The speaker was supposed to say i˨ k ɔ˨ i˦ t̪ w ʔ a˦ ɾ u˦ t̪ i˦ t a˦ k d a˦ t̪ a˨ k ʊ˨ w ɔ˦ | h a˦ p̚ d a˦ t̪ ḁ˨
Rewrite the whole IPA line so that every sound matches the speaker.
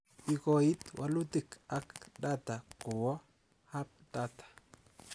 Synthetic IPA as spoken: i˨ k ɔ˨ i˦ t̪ w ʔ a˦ l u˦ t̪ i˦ k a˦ k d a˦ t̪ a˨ k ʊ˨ w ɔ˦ | h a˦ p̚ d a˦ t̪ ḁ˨